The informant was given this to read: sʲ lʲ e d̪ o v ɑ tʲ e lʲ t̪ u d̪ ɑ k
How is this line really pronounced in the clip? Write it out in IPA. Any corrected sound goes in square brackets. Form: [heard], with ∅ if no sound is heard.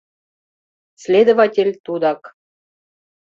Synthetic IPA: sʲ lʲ e d̪ o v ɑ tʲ e lʲ t̪ u d̪ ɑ k